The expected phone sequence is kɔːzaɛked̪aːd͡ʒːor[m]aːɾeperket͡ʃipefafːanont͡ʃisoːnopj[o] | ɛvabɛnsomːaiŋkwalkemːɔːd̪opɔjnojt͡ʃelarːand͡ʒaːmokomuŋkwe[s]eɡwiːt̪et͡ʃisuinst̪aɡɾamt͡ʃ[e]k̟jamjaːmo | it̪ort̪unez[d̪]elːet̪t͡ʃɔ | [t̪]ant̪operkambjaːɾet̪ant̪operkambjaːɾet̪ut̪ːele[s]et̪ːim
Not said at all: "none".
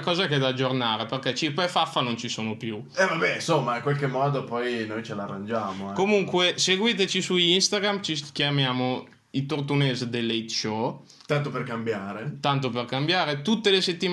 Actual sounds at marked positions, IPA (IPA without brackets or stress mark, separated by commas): n, u, s, i, d̪, t̪, s